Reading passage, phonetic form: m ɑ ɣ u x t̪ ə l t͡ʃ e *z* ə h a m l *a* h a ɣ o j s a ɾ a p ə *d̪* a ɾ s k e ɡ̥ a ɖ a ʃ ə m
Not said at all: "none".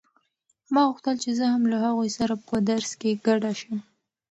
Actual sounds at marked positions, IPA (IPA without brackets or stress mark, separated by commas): z, a, d̪